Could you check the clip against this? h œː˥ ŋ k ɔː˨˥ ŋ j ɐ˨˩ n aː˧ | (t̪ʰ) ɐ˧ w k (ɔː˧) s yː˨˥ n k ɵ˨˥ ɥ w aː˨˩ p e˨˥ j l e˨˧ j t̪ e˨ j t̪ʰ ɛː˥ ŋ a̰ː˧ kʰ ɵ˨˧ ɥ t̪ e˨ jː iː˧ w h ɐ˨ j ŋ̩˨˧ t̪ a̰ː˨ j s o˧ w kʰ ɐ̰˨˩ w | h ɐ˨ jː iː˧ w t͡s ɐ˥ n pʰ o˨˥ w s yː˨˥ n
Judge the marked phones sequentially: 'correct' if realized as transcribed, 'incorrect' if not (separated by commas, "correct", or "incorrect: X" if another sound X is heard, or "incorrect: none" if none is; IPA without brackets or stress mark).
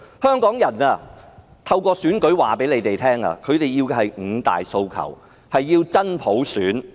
correct, correct